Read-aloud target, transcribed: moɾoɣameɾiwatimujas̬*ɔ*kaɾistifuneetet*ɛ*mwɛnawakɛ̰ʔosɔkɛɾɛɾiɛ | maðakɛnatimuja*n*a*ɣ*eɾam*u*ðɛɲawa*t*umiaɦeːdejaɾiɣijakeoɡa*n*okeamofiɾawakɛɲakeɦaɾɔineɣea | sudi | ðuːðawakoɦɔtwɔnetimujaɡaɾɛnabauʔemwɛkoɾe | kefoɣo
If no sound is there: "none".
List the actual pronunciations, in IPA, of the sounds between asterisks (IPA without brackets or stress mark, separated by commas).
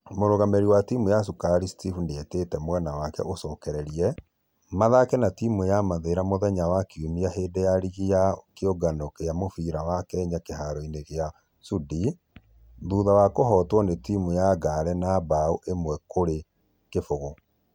u, ɛ, m, ð, o, k, n